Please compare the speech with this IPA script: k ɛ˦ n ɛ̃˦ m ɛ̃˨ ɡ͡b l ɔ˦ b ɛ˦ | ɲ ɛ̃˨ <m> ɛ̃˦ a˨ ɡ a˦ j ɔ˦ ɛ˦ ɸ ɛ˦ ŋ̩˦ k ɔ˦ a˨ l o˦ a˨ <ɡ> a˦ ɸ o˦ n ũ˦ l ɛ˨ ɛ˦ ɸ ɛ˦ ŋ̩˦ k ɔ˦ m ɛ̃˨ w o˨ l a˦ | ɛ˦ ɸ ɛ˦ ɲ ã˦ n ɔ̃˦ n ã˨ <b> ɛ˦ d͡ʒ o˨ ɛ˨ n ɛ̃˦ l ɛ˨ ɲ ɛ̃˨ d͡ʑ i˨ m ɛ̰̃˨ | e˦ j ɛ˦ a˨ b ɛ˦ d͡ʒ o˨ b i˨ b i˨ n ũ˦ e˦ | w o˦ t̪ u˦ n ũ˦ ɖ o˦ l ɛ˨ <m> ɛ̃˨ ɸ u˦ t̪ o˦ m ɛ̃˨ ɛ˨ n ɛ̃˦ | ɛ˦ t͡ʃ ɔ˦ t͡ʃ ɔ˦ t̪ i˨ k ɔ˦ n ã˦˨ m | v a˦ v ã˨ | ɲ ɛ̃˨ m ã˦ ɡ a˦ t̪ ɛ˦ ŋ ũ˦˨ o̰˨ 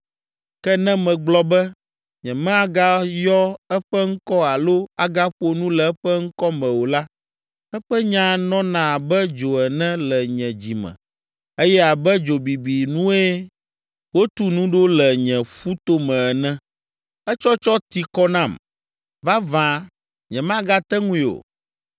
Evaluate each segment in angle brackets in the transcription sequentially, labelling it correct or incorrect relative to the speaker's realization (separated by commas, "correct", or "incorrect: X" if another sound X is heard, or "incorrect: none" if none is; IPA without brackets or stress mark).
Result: correct, correct, correct, incorrect: ɲ